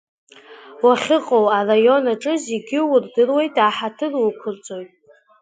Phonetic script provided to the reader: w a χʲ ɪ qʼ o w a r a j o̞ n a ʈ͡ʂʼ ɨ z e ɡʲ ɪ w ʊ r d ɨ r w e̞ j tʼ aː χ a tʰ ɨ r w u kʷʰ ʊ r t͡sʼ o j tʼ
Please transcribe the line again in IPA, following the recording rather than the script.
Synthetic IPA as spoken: w a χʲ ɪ qʼ o w a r a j o̞ n a ʈ͡ʂʼ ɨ z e ɡʲ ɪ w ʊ r d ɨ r w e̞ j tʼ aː ħ a tʰ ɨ r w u kʷʰ ʊ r t͡sʼ o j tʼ

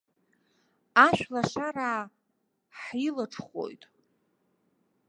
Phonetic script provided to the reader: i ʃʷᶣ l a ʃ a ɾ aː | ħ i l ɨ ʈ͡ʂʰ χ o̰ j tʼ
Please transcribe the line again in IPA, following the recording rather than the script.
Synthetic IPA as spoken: a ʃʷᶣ l a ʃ a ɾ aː | ħ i l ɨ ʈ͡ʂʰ χ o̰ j tʼ

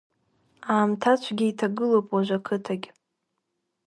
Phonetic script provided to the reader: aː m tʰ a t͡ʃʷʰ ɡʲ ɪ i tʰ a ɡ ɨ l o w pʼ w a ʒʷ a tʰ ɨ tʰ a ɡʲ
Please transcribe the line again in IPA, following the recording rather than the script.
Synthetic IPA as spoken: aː m tʰ a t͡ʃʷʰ ɡʲ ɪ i tʰ a ɡ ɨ l o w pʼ w a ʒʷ a kʰ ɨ tʰ a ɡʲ

